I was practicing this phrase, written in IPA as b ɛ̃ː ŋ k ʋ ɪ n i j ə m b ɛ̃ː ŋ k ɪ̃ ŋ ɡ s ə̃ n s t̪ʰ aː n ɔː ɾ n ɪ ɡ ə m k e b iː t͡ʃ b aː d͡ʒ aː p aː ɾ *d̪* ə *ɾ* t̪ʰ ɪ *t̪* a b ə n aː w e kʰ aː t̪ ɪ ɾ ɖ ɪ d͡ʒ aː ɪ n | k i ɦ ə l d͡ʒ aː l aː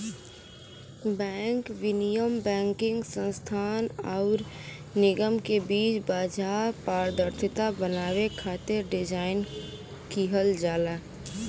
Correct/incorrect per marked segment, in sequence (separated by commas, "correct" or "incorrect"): correct, correct, correct